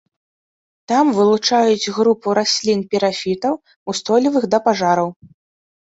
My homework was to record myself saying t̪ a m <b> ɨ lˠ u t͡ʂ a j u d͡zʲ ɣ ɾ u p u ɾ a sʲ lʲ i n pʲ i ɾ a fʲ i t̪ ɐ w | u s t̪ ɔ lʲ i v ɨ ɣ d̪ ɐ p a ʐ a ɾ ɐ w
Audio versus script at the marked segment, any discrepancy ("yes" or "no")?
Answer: yes